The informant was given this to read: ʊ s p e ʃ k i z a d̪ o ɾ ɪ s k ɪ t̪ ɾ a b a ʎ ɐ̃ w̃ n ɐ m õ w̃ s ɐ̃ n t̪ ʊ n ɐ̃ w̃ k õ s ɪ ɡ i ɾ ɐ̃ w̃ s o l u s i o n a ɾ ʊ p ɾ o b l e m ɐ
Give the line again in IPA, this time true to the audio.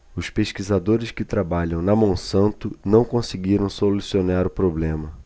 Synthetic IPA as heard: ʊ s p e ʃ k i z a d̪ o ɾ ɪ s k ɪ t̪ ɾ a b a ʎ ɐ̃ w̃ n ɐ m õ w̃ s ɐ̃ n t̪ ʊ n ɐ̃ w̃ k õ s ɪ ɡ i ɾ ɐ̃ w̃ s o l u s i o n a ɾ ʊ p ɾ o b l ẽ m ɐ